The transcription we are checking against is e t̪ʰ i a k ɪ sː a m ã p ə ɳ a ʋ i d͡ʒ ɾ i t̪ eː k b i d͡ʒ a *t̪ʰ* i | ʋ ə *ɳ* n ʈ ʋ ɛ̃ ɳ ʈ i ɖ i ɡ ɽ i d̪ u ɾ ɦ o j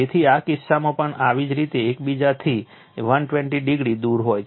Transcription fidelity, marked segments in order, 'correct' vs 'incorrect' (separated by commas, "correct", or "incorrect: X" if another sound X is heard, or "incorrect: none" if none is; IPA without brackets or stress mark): correct, incorrect: none